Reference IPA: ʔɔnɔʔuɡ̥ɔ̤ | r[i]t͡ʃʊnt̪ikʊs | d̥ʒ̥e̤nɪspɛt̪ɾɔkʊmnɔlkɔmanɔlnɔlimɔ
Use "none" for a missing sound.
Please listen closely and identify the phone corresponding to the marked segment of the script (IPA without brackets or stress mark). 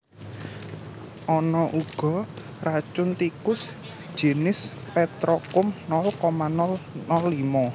a